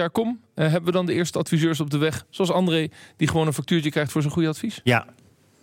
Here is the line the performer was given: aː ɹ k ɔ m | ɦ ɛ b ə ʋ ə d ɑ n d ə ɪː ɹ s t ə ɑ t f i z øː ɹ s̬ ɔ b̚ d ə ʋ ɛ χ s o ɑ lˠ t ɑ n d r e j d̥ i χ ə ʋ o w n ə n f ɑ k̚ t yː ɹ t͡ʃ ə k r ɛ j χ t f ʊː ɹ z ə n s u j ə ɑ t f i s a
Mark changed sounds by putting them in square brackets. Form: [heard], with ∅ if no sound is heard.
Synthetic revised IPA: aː ɹ k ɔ m | ɦ ɛ b ə ʋ ə d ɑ n d ə ɪː ɹ s t ə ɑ t f i z øː ɹ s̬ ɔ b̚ d ə ʋ ɛ χ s o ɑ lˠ [s] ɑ n d r e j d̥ i χ ə ʋ o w n ə n f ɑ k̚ t yː ɹ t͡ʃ ə k r ɛ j χ t f ʊː ɹ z ə n [χ] u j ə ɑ t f i s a